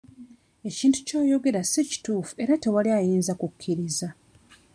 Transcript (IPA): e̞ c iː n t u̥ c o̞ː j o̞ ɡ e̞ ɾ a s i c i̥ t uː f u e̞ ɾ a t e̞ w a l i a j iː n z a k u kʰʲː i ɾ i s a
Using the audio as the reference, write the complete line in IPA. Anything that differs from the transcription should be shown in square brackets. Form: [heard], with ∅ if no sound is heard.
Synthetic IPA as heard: e̞ c iː n t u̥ c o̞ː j o̞ ɡ e̞ ɾ a s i c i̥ t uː f u e̞ ɾ a t e̞ w a l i a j iː n z a k u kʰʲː i ɾ i [z] a